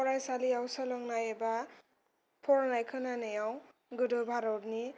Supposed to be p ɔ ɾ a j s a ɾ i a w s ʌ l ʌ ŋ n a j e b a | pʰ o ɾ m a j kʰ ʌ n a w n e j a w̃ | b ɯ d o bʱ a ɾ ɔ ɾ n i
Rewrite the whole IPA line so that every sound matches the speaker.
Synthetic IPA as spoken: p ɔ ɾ a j s a l i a w s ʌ l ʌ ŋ n a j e b a | pʰ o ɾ n a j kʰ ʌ n a n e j a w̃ | ɡ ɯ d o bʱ a ɾ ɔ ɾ n i